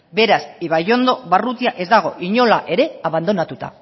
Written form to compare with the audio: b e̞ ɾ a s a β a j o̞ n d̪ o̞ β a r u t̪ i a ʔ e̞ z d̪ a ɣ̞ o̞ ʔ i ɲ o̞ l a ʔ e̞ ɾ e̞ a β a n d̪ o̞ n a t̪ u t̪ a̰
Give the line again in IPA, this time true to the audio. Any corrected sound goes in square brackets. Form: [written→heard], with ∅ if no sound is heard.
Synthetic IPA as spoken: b e̞ ɾ a s [a→i] β a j o̞ n d̪ o̞ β a r u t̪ i a ʔ e̞ z d̪ a ɣ̞ o̞ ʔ i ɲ o̞ l a ʔ e̞ ɾ e̞ a β a n d̪ o̞ n a t̪ u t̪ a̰